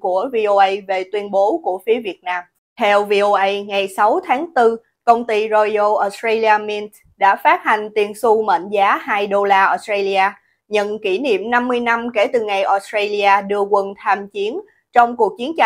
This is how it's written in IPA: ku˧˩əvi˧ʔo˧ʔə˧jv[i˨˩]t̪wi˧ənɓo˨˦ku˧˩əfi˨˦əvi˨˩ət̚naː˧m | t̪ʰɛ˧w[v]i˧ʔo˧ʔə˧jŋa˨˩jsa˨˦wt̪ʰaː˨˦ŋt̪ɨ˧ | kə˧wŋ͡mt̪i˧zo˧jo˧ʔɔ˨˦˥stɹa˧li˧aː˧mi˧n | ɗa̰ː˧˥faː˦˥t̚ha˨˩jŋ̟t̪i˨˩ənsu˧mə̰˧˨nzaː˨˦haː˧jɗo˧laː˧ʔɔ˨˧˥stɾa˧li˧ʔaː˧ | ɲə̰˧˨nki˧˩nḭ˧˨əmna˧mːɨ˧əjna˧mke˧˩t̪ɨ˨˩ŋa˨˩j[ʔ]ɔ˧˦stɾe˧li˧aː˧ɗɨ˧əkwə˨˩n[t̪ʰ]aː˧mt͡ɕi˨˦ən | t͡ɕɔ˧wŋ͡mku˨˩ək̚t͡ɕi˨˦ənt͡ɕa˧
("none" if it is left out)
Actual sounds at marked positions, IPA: e˨˩, v, ʔ, t̪ʰ

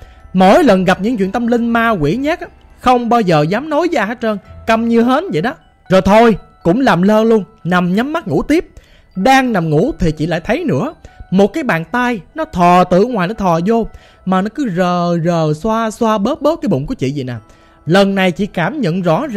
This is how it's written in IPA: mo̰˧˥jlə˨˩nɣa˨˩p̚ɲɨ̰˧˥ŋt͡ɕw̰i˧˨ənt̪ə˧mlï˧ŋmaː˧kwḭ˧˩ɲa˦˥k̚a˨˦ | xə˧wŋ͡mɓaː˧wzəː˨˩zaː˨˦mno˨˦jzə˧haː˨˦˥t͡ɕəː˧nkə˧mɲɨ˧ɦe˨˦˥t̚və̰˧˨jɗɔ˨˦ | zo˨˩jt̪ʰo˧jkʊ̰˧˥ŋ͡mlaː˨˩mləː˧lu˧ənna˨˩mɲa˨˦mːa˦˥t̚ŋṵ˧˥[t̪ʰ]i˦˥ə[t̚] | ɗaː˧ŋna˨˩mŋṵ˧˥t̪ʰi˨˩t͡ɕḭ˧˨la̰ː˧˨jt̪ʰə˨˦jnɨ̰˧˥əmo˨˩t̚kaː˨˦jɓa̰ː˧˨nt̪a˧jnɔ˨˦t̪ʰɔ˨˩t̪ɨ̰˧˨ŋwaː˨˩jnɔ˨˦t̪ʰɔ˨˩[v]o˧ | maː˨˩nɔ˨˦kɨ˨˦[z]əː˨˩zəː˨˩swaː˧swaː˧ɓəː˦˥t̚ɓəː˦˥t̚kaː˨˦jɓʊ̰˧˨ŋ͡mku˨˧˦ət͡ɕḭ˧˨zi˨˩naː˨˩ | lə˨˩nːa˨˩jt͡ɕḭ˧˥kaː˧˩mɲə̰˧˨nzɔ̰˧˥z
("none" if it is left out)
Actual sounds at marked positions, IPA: t̪, p̚, z, z

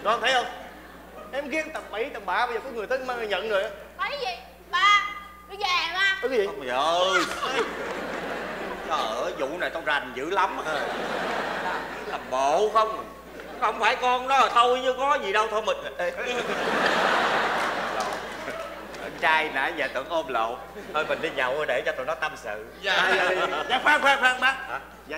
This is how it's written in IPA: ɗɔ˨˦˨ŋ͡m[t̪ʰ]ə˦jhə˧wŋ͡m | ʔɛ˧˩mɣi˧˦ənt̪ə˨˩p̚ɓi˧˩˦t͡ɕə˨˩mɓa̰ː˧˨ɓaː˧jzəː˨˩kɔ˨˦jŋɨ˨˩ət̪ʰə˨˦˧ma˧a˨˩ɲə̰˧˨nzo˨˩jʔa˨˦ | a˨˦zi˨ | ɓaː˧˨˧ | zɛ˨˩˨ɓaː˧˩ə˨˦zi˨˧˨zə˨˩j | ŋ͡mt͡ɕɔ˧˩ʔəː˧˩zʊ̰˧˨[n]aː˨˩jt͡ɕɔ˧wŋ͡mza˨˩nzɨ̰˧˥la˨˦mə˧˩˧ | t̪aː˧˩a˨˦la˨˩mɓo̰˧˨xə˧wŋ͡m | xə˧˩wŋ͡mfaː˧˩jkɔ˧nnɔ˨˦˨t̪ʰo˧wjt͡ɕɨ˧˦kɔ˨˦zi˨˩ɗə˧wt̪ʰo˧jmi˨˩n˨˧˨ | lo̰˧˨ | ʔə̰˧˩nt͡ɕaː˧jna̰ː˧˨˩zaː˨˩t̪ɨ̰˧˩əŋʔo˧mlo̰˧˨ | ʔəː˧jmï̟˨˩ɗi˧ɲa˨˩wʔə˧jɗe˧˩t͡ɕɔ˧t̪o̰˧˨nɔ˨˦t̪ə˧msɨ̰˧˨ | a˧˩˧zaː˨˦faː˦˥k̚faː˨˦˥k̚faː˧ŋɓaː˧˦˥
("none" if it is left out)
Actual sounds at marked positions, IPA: t̪ʰ, n

